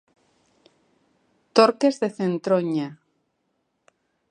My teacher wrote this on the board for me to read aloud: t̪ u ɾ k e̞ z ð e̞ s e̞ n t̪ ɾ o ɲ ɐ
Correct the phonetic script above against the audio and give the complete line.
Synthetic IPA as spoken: t̪ o ɾ k e̞ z ð e̞ θ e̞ n t̪ ɾ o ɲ a